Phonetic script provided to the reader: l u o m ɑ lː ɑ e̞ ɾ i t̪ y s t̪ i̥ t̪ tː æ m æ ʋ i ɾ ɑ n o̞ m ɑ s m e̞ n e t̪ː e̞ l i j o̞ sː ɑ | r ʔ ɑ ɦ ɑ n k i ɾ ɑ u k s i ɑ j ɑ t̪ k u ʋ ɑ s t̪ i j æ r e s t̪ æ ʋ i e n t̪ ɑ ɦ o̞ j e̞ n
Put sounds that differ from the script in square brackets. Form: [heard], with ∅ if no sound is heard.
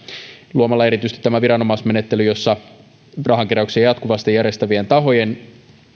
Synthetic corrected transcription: l u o m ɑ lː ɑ e̞ ɾ i t̪ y s t̪ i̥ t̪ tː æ m æ ʋ i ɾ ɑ n o̞ m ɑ s m e̞ n e t̪ː e̞ l [y] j o̞ sː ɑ | r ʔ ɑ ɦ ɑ [ŋ] k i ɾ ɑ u k s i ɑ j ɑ t̪ k u ʋ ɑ s t̪ i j æ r e s t̪ æ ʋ i e n t̪ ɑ ɦ o̞ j e̞ n